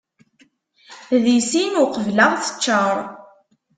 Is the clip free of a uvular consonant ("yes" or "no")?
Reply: no